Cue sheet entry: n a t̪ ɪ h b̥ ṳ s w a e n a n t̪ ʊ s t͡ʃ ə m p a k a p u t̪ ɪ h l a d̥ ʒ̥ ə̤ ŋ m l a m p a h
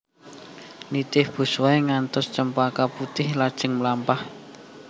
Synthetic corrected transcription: n i t̪ ɪ h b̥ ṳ s w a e ŋ a n t̪ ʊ s t͡ʃ ə m p a k a p u t̪ ɪ h l a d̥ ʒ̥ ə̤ ŋ m l a m p a h